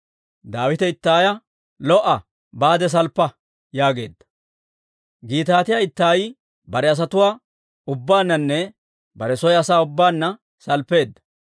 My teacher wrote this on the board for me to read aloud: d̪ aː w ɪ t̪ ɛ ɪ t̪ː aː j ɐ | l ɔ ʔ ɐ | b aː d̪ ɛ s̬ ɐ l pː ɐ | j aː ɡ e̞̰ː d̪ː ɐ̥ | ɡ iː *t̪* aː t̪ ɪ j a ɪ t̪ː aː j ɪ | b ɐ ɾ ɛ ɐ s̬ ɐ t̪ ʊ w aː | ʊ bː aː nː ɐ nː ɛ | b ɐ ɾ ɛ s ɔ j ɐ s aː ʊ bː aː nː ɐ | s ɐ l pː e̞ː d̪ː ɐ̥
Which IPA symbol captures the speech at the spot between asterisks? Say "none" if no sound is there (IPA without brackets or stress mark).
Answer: t̪